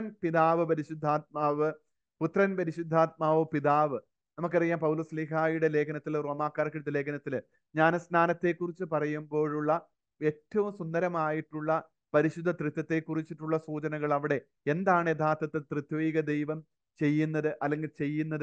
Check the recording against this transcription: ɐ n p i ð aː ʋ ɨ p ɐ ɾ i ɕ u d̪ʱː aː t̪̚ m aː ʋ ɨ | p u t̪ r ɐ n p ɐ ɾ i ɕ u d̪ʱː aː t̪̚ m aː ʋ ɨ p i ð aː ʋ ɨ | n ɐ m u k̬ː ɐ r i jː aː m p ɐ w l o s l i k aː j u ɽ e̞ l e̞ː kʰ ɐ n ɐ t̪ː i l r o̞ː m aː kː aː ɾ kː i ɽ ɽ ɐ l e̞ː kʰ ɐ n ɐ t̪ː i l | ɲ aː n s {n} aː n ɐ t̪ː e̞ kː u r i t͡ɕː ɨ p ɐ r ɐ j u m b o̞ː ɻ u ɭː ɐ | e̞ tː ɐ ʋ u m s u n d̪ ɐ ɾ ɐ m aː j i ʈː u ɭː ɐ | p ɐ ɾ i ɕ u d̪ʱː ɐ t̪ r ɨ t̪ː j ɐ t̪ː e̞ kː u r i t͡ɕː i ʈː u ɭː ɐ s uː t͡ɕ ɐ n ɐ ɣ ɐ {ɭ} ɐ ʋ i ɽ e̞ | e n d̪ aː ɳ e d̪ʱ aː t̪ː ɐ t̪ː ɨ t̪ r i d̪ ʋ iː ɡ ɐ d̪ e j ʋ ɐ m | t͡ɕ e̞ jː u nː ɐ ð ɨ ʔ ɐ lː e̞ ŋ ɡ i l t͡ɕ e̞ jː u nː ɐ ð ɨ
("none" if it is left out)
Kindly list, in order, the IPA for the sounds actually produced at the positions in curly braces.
n, ɭ

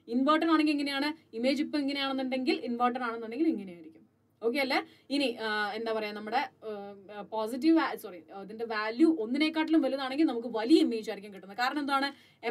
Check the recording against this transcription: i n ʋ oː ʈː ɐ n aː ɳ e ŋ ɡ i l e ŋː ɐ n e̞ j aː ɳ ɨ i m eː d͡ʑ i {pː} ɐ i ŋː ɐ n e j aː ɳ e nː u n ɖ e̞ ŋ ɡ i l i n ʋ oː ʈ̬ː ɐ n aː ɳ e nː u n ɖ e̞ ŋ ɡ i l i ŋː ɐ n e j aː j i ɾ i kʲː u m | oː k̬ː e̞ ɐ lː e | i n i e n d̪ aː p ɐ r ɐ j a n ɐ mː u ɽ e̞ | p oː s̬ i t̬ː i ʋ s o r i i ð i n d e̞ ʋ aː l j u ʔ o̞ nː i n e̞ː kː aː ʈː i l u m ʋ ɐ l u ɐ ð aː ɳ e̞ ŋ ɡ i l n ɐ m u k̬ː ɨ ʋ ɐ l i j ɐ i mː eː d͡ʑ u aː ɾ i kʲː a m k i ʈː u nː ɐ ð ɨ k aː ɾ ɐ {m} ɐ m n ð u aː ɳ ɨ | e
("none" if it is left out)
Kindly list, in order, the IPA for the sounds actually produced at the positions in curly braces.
pː, ɳ

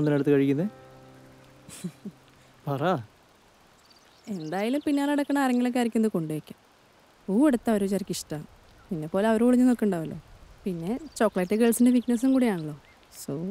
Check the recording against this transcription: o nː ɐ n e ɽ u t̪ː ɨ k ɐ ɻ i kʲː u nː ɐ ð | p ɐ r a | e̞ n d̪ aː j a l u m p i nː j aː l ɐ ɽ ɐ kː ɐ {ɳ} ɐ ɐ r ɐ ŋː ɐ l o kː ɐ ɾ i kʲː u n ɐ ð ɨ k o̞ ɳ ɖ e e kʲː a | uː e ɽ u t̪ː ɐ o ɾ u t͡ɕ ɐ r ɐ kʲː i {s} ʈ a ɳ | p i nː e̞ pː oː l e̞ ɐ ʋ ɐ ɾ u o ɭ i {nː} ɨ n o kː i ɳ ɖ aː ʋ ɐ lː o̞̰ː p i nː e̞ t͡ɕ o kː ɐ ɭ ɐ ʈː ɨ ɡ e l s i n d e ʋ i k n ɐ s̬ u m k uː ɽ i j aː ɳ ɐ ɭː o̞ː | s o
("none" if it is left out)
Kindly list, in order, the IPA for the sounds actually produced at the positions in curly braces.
ɳ, ʂ, ɲː

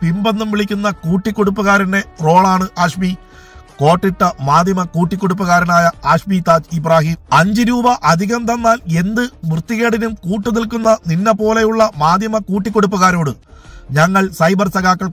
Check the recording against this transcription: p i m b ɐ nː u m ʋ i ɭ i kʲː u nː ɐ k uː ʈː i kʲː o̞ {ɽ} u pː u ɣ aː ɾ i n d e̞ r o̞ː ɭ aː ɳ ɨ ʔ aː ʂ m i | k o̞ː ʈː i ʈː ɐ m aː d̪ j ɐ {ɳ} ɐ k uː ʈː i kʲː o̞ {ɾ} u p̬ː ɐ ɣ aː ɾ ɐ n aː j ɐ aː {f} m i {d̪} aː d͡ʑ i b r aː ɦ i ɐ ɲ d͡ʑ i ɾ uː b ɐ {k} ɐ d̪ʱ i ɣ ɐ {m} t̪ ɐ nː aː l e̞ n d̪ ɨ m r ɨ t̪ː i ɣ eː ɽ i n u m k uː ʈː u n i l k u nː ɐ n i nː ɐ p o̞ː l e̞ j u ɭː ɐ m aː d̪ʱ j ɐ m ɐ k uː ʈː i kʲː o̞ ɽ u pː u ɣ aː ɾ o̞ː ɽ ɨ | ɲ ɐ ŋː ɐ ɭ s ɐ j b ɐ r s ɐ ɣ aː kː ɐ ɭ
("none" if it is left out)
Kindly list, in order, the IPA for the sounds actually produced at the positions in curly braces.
ɽ, m, ɽ, ʂ, t̪, ʔ, m

